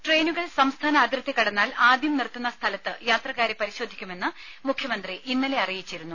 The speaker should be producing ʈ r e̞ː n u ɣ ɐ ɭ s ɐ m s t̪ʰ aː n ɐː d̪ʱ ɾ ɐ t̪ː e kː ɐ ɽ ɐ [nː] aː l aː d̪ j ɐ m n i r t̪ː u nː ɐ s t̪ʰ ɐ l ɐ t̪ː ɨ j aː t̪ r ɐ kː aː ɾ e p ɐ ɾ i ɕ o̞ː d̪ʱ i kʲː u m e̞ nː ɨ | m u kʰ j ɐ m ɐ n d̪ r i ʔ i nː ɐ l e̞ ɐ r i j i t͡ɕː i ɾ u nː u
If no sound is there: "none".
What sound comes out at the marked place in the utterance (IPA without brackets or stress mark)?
nː